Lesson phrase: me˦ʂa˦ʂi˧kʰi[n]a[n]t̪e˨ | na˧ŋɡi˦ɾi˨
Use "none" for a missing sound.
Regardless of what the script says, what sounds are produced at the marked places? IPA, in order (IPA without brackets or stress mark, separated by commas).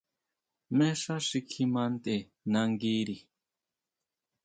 m, n